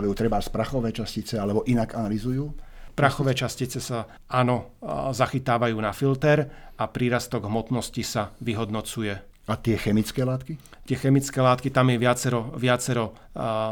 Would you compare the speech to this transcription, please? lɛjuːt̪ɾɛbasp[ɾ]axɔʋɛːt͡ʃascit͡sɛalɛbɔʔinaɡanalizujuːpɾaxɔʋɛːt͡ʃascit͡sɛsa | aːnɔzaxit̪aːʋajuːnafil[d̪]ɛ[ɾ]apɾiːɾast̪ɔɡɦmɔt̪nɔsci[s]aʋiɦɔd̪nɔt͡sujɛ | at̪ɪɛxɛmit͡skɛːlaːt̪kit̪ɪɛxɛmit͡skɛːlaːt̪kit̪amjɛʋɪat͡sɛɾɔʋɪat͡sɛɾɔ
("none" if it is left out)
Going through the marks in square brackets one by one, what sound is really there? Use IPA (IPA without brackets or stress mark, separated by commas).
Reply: ɾ, t̪, ɾ, s